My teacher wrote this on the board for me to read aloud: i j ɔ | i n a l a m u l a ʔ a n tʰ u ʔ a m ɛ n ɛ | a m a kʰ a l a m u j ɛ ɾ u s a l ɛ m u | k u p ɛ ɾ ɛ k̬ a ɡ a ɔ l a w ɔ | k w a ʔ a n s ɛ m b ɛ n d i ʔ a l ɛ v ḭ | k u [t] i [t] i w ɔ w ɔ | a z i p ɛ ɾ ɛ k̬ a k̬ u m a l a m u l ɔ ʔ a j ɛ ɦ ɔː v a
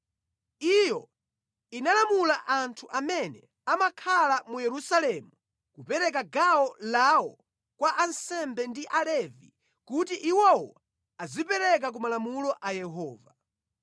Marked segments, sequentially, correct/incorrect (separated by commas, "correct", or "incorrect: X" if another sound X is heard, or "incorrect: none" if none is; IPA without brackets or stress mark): correct, incorrect: ʔ